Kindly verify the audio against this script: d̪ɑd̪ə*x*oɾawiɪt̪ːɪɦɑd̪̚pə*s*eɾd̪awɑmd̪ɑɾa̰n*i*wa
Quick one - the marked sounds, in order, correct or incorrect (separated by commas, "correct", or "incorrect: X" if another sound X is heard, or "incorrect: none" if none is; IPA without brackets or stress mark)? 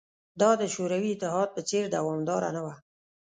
incorrect: ʃ, incorrect: t͡s, incorrect: a